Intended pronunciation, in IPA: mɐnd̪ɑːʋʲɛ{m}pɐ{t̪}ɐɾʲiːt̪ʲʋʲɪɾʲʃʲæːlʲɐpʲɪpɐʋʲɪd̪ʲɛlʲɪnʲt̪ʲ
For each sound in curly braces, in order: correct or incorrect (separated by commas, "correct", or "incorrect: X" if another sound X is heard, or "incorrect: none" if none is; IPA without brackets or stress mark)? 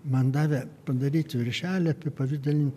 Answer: incorrect: none, incorrect: d̪